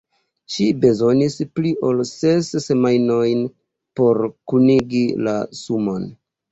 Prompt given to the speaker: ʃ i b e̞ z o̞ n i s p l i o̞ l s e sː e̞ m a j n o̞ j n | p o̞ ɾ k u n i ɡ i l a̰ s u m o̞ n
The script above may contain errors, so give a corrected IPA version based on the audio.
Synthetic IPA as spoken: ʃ i b e̞ z o̞ n i s p l i o̞ l s e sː e̞ m a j n o̞ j n | p o̞ ɾ k u n i ɡ i l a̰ s u m o̞ n